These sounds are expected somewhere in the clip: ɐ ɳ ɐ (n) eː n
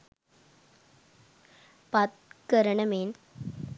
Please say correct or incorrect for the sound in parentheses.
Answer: incorrect